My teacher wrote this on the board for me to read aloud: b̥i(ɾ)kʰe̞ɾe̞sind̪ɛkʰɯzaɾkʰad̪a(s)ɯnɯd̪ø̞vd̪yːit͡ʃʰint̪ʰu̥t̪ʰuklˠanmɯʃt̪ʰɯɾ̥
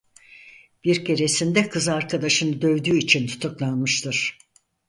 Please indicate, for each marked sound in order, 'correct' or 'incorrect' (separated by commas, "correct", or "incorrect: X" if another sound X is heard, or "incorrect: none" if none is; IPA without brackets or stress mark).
correct, incorrect: ʃ